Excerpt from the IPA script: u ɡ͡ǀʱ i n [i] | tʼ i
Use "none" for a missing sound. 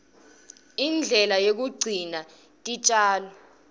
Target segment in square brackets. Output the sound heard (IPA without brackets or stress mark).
a